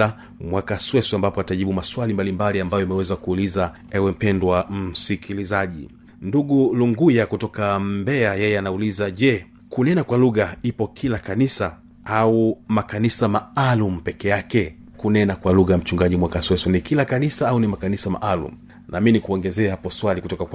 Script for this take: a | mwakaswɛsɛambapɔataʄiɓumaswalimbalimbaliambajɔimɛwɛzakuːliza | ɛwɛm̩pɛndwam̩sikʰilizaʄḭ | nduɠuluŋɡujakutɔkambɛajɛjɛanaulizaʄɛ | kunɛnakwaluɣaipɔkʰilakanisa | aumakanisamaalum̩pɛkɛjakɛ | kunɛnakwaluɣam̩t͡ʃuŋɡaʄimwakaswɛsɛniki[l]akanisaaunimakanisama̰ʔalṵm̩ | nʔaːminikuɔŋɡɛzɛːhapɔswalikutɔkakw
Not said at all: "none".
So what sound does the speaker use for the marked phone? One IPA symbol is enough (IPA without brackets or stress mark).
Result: l